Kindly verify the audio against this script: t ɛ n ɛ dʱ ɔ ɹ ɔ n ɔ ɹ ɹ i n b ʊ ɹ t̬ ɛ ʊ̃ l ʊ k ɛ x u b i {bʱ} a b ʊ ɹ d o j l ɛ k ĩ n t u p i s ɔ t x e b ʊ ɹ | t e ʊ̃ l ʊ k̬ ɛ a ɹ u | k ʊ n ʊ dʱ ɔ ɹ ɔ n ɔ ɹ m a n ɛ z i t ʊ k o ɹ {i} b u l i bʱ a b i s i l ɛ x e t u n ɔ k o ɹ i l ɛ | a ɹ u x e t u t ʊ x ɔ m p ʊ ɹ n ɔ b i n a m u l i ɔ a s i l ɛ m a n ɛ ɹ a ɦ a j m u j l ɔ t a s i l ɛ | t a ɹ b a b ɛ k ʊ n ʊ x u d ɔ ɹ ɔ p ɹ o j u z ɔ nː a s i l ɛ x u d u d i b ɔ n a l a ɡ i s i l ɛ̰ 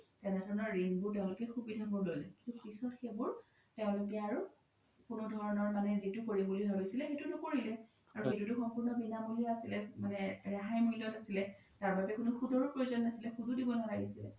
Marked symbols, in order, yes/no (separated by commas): no, yes